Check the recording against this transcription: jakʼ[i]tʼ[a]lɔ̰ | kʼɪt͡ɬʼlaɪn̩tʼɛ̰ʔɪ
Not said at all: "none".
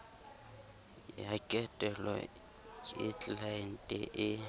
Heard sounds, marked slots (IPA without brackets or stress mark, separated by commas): ɛ, ɛ